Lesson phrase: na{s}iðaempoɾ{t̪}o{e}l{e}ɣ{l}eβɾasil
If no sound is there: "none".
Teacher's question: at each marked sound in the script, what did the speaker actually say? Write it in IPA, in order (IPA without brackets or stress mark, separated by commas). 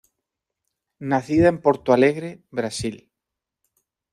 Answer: θ, t̪, a, e, ɾ